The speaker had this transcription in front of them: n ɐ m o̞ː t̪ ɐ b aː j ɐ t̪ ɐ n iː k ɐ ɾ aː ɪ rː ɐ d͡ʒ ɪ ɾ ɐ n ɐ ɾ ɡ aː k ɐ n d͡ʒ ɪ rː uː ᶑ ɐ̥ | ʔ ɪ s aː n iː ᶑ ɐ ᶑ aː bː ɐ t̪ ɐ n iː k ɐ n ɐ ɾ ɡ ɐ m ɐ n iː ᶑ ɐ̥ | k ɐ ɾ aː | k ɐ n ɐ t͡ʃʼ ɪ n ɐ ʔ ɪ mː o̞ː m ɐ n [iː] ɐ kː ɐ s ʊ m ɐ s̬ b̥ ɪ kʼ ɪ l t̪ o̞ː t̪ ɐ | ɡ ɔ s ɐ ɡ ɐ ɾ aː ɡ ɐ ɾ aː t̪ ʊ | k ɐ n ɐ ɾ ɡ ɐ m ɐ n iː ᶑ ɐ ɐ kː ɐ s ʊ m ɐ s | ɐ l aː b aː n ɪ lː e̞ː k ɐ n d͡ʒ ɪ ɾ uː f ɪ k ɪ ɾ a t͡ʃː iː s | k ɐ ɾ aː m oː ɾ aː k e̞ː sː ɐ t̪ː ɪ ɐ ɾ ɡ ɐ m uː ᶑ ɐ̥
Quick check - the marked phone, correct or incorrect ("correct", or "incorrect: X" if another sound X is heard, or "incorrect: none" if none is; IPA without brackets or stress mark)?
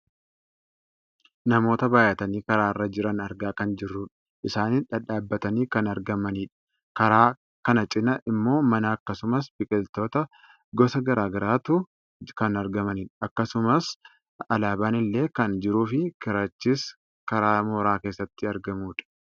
incorrect: aː